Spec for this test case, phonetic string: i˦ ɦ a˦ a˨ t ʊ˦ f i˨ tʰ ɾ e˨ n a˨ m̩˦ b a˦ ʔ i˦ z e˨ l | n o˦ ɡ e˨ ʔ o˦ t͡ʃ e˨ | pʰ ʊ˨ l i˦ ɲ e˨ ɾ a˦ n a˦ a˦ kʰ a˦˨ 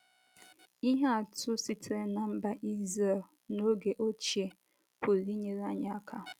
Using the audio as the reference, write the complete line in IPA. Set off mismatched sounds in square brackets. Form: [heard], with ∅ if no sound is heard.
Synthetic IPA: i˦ ɦ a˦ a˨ t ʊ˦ [s] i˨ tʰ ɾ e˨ n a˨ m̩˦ b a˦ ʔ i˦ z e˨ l | n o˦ ɡ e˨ ʔ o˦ t͡ʃ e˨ | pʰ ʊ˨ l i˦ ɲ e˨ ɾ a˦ [ɲ] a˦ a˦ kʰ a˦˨